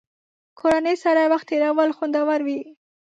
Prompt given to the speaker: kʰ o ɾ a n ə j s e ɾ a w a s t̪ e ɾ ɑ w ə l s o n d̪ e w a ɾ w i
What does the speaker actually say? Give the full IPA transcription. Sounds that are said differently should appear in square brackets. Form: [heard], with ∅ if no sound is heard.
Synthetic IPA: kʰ o ɾ a n ə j s [a] ɾ a w a [x] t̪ e ɾ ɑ w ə l [x] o n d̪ [a] w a ɾ w i